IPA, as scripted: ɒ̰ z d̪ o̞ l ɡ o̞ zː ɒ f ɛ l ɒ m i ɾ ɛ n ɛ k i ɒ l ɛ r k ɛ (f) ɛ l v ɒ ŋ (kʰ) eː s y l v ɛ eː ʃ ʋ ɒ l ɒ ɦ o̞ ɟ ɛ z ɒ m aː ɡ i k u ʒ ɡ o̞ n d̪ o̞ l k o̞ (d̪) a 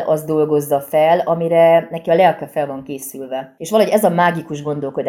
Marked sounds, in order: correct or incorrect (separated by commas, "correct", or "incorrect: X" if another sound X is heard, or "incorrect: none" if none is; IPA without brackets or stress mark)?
correct, incorrect: k, correct